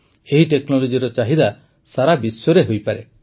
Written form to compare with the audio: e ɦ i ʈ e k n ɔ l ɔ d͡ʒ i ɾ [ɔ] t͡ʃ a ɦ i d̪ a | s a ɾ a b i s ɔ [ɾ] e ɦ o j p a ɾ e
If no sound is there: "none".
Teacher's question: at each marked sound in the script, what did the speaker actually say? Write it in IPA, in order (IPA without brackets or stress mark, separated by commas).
ɔ, ɾ